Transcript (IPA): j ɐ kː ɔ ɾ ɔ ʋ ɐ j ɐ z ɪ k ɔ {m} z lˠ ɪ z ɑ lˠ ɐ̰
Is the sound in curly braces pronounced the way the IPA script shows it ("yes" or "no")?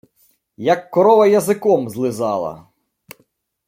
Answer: yes